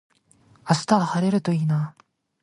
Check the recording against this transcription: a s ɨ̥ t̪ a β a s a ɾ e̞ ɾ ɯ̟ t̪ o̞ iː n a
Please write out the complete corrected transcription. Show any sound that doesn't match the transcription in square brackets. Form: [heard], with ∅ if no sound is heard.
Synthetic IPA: a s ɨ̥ t̪ a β a [h] a ɾ e̞ ɾ ɯ̟ t̪ o̞ iː n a